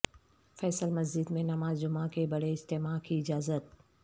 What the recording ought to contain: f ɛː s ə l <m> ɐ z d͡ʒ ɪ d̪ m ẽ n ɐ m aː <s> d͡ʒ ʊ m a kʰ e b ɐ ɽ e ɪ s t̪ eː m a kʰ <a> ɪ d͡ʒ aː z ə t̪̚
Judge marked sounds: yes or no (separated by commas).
yes, no, no